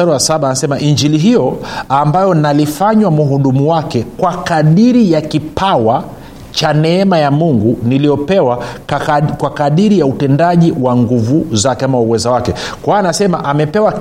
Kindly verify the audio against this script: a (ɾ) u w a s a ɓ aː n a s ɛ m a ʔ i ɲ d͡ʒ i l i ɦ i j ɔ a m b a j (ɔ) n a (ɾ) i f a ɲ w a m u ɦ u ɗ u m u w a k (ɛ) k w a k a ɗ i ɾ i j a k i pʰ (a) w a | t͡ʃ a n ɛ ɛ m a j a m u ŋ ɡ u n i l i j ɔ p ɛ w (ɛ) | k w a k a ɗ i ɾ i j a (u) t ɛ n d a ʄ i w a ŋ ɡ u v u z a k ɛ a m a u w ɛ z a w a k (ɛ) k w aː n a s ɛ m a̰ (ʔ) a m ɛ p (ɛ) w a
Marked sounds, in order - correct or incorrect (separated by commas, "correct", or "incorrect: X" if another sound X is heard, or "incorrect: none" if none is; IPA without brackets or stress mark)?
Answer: correct, correct, incorrect: l, correct, correct, incorrect: a, correct, correct, correct, correct